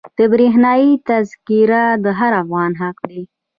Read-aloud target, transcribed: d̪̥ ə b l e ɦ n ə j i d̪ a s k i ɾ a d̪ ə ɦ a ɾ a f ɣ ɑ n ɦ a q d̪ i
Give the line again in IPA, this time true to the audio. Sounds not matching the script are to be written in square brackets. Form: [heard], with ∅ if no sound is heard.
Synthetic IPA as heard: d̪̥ ə b [ɾ] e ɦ n [ɑ] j i [t̪] a [z] k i ɾ a d̪ ə ɦ a ɾ a f ɣ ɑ n ɦ a q d̪ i